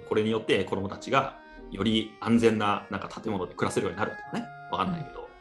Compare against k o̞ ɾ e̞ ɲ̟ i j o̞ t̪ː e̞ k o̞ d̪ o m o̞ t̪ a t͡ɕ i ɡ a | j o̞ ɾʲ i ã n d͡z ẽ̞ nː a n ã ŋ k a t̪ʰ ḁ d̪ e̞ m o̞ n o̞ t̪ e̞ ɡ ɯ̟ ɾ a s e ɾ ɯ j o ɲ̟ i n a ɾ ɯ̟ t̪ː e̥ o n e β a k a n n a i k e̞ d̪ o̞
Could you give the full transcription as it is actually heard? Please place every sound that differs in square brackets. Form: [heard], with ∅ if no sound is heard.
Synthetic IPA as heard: k o̞ ɾ e̞ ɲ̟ i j o̞ t̪ː e̞ k o̞ d̪ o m o̞ t̪ a t͡ɕ i ɡ a | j o̞ ɾʲ i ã n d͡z ẽ̞ nː a n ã ŋ k a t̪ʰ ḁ [t̪] e̞ m o̞ n o̞ [d̪] e̞ [k] ɯ̟ ɾ a s e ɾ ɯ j o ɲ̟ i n a ɾ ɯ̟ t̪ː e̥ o n e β a k a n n a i k e̞ d̪ o̞